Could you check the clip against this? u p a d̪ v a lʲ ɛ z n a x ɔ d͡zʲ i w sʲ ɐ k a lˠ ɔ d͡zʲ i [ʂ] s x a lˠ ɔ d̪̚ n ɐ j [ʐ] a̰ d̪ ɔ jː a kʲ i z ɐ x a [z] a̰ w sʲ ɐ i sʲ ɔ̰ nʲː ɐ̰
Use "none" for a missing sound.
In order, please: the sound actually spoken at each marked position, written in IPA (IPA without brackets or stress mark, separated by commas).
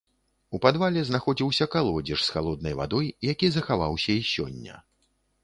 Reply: ʂ, v, v